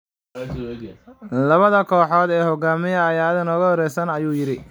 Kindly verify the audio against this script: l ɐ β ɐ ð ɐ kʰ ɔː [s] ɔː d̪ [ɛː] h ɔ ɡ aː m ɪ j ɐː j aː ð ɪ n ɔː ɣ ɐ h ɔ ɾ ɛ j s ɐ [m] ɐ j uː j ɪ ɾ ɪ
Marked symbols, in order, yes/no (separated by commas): no, yes, no